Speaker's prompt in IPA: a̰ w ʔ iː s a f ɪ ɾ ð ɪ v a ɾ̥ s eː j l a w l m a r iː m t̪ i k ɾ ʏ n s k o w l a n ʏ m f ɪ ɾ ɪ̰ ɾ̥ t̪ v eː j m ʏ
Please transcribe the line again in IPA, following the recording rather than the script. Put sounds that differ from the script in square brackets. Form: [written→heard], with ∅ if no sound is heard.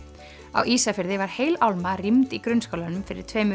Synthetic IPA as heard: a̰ w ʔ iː s a f ɪ ɾ ð ɪ v a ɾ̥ [s→h] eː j l a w l m a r [iː→i] m t̪ i k ɾ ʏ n s k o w l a n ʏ m f ɪ ɾ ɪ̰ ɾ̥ [t̪→t̪ʰ] v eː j m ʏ